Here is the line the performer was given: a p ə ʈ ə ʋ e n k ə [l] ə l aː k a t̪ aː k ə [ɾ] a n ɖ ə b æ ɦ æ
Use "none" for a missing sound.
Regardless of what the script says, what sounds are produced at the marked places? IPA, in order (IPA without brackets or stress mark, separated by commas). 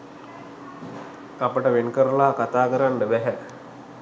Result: ɾ, ɾ